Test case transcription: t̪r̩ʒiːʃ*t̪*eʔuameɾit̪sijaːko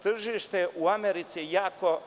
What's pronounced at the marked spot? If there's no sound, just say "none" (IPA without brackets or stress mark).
t̪